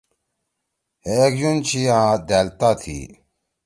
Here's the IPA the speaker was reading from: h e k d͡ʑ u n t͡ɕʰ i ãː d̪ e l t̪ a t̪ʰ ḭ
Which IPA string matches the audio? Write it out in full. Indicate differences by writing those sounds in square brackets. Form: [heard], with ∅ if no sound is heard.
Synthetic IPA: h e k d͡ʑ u n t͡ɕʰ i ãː d̪ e l t̪ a t̪ʰ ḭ